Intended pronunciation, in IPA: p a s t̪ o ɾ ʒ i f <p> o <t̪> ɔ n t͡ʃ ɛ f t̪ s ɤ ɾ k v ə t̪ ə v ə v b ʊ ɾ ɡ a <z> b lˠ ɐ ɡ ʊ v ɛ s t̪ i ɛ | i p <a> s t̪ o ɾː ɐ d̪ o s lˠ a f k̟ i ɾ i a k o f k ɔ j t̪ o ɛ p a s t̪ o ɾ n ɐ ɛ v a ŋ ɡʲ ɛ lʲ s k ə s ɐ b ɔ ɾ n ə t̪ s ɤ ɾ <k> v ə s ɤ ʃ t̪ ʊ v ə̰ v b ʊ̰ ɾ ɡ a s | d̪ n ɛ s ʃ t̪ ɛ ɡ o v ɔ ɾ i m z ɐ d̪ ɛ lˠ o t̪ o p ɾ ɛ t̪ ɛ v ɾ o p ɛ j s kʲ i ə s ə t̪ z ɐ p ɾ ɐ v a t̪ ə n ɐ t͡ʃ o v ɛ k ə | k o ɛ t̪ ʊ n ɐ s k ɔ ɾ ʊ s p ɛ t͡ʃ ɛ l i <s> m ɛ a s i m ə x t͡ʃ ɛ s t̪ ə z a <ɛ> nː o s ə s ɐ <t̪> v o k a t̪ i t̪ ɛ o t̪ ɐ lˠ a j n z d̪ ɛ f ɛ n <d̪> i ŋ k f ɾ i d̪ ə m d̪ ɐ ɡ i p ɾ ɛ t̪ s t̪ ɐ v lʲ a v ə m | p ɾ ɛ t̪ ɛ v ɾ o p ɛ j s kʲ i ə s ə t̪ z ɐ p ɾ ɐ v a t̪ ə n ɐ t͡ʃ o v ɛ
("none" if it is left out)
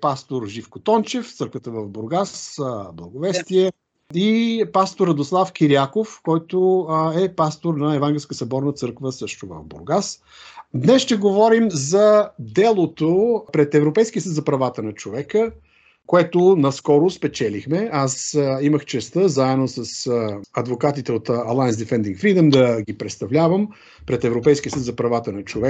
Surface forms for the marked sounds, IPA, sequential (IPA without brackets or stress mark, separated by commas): k, t̪, s, a, k, x, ɛ, d̪, d̪